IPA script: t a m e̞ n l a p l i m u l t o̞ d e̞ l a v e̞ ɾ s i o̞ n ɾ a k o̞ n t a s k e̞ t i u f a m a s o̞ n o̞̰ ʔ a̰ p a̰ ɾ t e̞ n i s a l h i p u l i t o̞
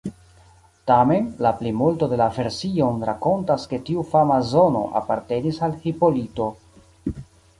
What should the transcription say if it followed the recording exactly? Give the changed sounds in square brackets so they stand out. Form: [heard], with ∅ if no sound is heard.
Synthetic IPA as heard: t a m e̞ n l a p l i m u l t o̞ d e̞ l a v e̞ ɾ s i o̞ n ɾ a k o̞ n t a s k e̞ t i u f a m a [z] o̞ n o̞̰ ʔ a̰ p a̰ ɾ t e̞ n i s a l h i p [o] l i t o̞